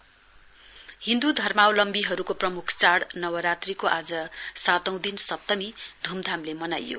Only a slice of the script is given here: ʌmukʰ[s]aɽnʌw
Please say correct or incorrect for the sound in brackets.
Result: incorrect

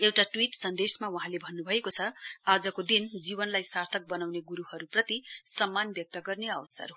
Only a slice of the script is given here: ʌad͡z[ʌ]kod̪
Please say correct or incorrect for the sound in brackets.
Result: correct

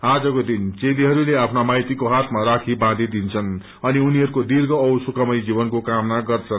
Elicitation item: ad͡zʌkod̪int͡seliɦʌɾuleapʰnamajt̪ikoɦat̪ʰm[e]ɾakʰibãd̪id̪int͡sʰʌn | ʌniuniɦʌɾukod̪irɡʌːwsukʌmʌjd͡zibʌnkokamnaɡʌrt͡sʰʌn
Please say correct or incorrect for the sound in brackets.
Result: incorrect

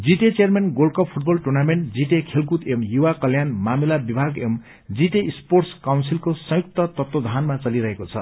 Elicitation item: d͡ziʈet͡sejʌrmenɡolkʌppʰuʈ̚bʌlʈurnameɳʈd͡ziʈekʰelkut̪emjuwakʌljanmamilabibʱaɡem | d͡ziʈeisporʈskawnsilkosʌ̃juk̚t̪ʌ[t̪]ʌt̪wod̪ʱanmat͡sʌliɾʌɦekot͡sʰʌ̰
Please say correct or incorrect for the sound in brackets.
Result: correct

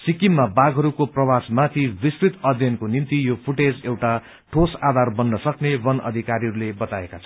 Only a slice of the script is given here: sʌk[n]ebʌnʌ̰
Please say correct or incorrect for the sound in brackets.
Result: correct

